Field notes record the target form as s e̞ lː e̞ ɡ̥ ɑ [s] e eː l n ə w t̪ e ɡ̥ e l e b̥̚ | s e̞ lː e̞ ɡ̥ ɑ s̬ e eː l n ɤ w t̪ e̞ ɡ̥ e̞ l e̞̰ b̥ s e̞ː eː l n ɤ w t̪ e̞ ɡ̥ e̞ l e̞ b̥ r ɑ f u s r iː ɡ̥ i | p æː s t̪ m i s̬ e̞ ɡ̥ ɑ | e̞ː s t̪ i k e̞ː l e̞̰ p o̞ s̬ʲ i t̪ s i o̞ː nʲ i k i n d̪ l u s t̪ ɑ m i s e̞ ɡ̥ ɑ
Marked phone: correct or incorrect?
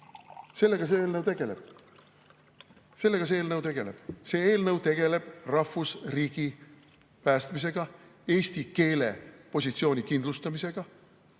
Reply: correct